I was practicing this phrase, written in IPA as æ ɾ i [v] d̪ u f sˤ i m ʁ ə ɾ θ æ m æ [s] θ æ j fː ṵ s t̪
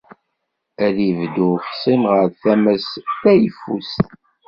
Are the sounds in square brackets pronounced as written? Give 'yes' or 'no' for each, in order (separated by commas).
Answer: yes, yes